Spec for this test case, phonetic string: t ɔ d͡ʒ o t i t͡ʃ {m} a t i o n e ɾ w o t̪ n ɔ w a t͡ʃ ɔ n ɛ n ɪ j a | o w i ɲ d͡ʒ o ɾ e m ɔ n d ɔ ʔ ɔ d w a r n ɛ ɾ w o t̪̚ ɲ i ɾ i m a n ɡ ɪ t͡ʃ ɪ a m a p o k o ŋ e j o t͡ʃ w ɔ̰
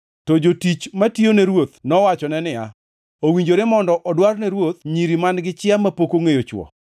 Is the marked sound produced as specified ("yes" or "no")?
yes